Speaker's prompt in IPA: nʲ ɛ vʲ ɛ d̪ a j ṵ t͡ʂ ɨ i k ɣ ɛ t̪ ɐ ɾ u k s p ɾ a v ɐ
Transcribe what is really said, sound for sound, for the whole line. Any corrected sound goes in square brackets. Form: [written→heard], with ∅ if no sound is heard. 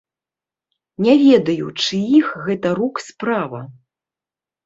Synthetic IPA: nʲ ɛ vʲ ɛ d̪ [a→ɐ] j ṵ t͡ʂ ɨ i [k→x] ɣ ɛ t̪ ɐ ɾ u k s p ɾ a v ɐ